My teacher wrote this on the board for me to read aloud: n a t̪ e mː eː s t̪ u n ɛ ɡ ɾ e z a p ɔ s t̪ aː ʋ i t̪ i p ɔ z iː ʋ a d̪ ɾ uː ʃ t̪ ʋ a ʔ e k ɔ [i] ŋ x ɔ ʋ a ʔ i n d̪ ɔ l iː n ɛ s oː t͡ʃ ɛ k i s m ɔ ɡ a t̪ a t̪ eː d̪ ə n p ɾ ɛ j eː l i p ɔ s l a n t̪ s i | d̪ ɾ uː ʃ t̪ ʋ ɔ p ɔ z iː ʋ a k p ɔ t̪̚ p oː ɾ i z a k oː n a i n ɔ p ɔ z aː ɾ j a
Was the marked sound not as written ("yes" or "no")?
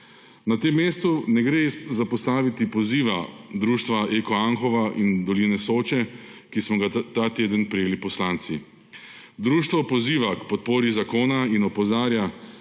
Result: yes